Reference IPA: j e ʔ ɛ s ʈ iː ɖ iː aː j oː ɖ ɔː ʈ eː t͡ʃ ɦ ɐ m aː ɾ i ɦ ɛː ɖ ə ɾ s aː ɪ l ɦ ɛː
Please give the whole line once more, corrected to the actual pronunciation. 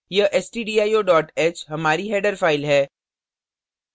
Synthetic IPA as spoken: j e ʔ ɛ s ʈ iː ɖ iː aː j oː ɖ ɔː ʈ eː t͡ʃ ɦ ɐ m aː ɾ i ɦ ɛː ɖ ə ɾ f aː ɪ l ɦ ɛː